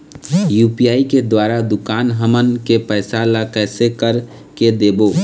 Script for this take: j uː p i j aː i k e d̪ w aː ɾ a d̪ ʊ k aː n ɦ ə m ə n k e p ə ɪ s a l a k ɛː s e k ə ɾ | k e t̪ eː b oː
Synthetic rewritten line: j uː p i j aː i k e d̪ w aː ɾ a d̪ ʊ k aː n ɦ ə m ə n k e p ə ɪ s a l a k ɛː s e k ə ɾ | k e d̪ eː b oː